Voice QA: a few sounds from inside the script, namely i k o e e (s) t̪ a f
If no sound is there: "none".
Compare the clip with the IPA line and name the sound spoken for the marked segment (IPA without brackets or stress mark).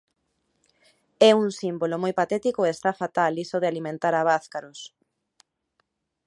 s